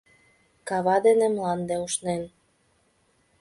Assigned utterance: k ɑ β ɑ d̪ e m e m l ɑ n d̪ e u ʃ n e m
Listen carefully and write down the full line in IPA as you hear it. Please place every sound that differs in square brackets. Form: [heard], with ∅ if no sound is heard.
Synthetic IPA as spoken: k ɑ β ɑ d̪ e [n] e m l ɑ n d̪ e u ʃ n e [n]